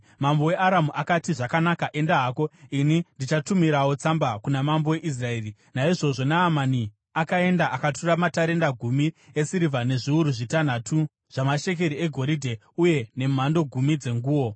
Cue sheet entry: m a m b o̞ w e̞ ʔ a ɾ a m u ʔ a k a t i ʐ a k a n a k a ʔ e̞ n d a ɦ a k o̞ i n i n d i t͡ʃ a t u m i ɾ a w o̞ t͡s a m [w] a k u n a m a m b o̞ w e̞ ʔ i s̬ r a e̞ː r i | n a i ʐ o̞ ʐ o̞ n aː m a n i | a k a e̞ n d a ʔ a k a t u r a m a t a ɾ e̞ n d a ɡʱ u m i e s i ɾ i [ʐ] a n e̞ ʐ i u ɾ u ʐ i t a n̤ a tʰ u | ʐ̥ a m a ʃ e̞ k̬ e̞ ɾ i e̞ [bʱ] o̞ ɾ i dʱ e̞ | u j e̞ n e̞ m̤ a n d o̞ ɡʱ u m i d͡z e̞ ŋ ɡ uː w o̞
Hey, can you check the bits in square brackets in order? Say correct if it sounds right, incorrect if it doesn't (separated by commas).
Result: incorrect, incorrect, incorrect